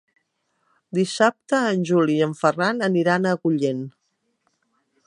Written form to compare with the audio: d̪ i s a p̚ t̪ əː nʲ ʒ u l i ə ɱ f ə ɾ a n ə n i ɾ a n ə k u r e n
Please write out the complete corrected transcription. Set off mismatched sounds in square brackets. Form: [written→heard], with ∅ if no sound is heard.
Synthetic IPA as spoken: d̪ i s a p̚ t̪ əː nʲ ʒ u l i ə ɱ f ə [ɾ→r] a n ə n i ɾ a n ə k u [r→ʎ] e n